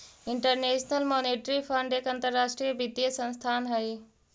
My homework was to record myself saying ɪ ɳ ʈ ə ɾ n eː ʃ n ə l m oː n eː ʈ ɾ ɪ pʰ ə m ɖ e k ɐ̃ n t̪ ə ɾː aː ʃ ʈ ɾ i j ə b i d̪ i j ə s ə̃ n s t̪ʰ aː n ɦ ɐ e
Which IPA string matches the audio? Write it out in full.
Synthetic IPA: ɪ ɳ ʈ ə ɾ n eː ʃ n ə l m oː n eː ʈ ɾ i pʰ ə ɳ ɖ e k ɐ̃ n t̪ ə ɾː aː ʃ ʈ ɾ i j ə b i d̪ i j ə s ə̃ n s t̪ʰ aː n ɦ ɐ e